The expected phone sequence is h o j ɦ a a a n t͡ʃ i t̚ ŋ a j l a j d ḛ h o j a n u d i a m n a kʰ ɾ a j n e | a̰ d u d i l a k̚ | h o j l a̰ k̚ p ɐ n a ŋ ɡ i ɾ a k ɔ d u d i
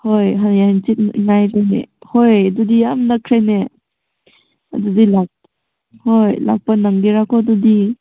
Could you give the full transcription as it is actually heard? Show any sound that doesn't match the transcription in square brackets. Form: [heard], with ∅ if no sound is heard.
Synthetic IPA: h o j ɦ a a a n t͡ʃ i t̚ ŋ a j [ɾ] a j [n] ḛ h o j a [d] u d i a m n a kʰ ɾ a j n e | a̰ d u d i l a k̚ | h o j l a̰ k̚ p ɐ n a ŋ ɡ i ɾ a k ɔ d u d i